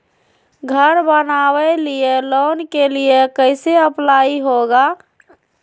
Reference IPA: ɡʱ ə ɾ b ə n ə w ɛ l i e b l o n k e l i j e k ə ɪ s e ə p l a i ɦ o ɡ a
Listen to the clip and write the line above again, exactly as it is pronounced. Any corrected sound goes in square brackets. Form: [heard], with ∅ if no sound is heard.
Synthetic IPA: ɡʱ ə ɾ b ə n [a] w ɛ l i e [∅] l o n k e l i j e k ə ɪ s e ə p l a i ɦ o ɡ a